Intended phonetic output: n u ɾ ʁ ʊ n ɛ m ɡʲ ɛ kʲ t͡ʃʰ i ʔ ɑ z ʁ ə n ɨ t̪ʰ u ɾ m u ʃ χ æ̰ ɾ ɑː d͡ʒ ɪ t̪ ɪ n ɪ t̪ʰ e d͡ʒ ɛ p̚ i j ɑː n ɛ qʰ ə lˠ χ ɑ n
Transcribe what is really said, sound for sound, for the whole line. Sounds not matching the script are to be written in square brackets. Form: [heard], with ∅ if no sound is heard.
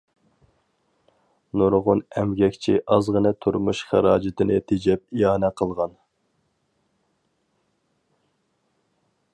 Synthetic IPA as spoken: n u ɾ ʁ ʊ n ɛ m ɡʲ ɛ kʲ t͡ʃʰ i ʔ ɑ z ʁ ə n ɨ t̪ʰ u ɾ m u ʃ χ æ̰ ɾ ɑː d͡ʒ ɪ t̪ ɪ n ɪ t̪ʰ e d͡ʒ ɛ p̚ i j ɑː n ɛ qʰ ə lˠ [ʁ] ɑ n